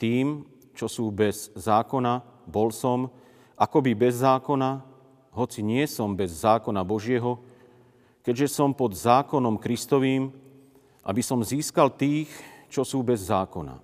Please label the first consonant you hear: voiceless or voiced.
voiceless